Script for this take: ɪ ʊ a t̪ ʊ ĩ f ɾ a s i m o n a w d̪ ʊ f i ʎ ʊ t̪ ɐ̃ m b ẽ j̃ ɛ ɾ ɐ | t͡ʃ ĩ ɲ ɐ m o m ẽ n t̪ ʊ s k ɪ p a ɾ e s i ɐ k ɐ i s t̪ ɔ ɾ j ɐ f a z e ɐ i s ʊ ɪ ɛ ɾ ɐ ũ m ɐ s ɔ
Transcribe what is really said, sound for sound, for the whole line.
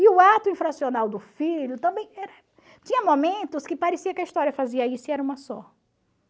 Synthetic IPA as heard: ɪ ʊ a t̪ ʊ ĩ f ɾ a s i o n a w d̪ ʊ f i ʎ ʊ t̪ ɐ̃ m b ẽ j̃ ɛ ɾ ɐ | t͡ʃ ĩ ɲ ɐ m o m ẽ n t̪ ʊ s k ɪ p a ɾ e s i ɐ k ɐ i s t̪ ɔ ɾ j ɐ f a z i ɐ i s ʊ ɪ ɛ ɾ ɐ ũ m ɐ s ɔ

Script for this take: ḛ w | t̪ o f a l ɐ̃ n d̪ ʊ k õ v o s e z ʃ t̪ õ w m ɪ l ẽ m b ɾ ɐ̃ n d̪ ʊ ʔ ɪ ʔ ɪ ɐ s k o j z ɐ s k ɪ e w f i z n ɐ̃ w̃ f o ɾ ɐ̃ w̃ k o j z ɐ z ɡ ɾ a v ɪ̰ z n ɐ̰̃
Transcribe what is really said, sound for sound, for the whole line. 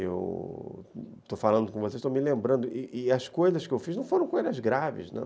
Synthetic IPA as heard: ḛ w | t̪ o f a l ɐ̃ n d̪ ʊ k õ v o s e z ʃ t̪ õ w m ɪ l ẽ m b ɾ ɐ̃ n d̪ ʊ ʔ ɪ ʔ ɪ ɐ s k o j z ɐ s k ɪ e w f i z n ɐ̃ w̃ f o ɾ ɐ̃ w̃ k o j z ɐ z ɡ ɾ a v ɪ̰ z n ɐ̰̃

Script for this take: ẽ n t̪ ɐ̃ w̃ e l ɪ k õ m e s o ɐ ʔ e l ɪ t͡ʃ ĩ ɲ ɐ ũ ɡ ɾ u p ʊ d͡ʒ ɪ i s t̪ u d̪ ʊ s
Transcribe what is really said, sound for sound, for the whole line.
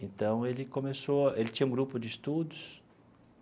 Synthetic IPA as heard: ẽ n t̪ ɐ̃ w̃ e l ɪ k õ m e s o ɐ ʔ e l ɪ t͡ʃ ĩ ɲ ɐ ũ ɡ ɾ u p ʊ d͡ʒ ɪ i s t̪ u d̪ ʊ s

